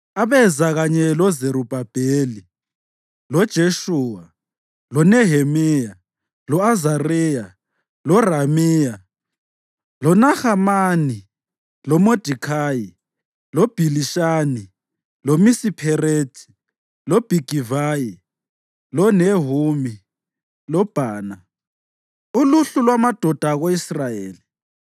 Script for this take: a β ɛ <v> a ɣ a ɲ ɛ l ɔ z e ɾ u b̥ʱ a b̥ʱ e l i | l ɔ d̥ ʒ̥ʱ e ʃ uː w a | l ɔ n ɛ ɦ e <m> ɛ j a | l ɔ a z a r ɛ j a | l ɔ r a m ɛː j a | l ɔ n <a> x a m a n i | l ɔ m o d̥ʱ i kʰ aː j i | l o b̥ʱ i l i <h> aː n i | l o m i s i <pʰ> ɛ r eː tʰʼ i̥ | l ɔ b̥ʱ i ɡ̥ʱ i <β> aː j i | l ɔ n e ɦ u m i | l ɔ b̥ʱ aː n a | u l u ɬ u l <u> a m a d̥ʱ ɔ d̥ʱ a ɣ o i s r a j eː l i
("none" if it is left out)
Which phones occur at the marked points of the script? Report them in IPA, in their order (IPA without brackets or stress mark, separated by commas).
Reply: z, m, a, ʃ, pʰ, v, w